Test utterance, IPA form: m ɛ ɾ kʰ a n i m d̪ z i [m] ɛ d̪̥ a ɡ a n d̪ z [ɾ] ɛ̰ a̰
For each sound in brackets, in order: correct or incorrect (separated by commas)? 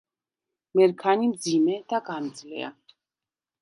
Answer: correct, incorrect